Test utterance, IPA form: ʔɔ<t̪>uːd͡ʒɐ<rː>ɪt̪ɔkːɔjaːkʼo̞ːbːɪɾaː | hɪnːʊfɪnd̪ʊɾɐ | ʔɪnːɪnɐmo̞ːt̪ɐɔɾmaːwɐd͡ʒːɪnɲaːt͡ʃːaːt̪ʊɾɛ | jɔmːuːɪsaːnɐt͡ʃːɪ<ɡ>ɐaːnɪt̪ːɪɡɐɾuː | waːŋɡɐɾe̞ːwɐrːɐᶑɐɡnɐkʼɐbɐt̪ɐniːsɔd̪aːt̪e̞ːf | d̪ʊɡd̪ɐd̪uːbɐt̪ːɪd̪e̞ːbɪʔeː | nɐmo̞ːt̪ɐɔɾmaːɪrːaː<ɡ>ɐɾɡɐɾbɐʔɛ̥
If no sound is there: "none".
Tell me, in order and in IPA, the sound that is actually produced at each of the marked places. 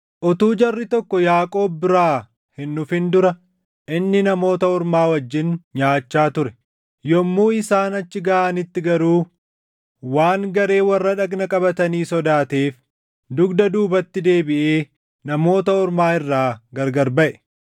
t̪, rː, ɡ, ɡ

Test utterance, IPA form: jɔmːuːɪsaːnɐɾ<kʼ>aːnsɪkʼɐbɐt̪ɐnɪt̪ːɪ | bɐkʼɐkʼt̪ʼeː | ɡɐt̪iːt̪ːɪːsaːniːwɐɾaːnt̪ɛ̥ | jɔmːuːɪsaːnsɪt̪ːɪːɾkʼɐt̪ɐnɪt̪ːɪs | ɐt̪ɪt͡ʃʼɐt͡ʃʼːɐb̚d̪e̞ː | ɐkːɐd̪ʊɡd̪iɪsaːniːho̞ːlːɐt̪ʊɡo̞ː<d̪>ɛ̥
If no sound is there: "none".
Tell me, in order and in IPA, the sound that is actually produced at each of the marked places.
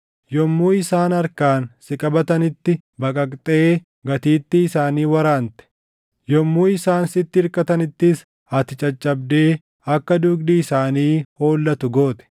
k, t̪

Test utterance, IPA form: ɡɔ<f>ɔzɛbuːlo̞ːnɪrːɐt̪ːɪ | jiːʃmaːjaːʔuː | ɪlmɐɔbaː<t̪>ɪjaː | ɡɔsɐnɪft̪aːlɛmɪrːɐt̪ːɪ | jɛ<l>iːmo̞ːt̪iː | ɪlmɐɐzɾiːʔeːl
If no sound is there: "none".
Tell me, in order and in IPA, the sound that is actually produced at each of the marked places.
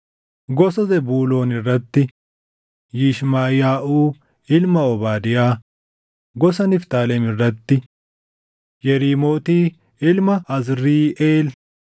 s, d̪, ɾ

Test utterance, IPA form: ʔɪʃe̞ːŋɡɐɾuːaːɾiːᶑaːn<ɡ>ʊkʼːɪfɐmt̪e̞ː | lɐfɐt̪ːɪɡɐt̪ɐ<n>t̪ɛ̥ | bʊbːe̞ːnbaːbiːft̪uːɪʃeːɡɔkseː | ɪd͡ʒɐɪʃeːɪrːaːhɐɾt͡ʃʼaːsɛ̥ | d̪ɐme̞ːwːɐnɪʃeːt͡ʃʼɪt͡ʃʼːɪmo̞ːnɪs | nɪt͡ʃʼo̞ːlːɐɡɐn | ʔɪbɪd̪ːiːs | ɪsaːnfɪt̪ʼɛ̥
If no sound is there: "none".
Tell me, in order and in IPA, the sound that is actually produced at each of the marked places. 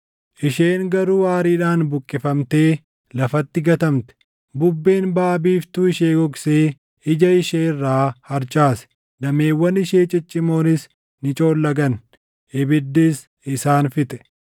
b, m

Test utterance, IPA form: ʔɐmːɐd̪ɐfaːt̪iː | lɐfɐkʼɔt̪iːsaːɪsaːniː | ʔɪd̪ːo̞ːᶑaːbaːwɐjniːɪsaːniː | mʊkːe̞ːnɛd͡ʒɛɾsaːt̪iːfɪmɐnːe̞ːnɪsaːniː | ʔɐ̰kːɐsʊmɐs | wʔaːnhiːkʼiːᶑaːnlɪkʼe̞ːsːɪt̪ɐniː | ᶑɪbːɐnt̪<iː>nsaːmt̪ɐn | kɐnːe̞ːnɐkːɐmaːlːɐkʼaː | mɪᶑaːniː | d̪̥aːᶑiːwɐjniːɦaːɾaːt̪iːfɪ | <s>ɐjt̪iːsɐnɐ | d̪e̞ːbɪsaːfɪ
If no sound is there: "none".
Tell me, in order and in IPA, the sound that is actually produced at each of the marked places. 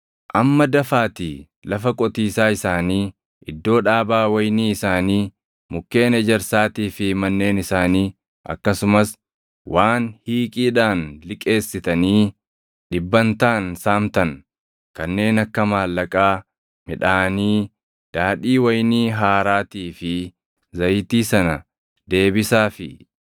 aː, z

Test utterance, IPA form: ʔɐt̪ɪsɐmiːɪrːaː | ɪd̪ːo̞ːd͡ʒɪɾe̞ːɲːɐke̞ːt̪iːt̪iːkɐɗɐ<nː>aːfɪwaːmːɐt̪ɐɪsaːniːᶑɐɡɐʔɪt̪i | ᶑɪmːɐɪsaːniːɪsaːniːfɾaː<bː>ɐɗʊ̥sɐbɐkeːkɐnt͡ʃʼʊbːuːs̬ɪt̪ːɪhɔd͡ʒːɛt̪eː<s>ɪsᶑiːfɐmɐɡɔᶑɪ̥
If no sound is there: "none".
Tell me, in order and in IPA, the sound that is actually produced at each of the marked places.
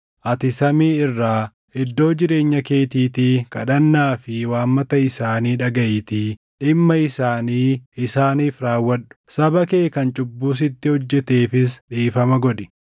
nː, wː, f

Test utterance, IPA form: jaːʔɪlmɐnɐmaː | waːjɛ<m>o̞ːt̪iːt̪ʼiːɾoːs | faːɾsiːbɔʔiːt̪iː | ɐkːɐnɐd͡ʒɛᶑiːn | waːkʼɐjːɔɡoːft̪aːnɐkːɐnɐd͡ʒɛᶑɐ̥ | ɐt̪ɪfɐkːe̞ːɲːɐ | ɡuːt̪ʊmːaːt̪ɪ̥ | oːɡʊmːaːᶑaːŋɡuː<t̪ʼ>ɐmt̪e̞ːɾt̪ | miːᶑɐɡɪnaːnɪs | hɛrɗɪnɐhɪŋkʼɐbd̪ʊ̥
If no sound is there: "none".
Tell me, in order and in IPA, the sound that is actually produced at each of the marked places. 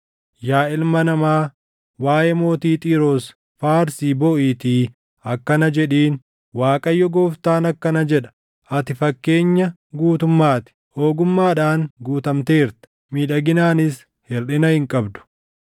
m, t̪

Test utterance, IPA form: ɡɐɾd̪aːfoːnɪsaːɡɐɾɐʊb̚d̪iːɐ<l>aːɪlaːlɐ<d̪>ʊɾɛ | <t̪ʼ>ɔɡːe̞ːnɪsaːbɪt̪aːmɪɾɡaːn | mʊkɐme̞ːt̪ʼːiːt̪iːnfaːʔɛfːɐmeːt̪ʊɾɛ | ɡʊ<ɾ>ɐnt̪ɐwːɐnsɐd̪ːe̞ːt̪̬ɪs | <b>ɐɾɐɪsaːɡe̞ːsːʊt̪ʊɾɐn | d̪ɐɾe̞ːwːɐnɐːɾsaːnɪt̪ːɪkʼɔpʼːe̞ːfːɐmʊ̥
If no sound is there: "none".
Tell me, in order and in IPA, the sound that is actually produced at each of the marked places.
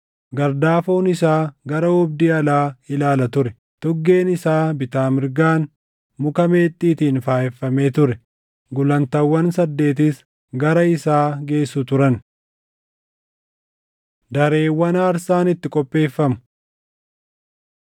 l, t̪, t̪, l, ɡ

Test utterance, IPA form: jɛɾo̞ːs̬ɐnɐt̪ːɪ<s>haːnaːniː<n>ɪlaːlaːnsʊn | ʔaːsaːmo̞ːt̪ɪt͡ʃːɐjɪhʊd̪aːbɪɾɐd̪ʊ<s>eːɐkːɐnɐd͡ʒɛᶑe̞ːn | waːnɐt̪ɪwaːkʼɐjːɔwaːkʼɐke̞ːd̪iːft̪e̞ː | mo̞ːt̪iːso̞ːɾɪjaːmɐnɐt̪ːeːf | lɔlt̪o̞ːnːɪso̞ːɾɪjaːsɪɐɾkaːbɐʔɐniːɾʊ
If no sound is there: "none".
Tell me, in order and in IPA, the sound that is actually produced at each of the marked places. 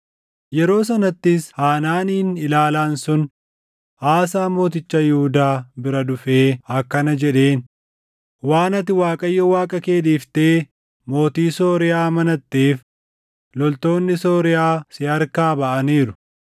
s, n, f

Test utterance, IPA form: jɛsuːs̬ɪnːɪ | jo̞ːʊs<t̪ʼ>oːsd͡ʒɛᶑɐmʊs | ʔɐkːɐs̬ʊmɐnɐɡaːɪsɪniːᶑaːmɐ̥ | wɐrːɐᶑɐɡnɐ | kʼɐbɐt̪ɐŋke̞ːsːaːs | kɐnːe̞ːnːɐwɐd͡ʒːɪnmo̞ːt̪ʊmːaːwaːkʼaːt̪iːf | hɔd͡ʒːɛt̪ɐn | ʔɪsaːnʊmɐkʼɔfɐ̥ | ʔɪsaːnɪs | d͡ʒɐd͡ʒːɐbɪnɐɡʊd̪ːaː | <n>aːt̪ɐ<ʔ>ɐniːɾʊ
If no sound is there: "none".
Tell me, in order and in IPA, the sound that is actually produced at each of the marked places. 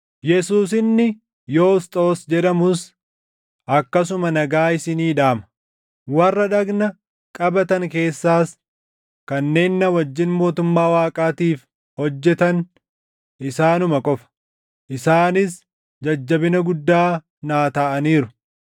t̪ʼ, n, ʔ

